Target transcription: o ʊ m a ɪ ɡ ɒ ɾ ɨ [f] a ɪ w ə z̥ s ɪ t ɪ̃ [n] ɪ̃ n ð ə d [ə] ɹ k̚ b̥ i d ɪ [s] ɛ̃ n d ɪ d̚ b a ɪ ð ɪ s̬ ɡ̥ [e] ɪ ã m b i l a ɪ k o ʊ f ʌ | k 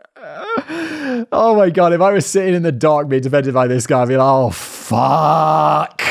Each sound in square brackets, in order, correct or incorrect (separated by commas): correct, incorrect, incorrect, incorrect, incorrect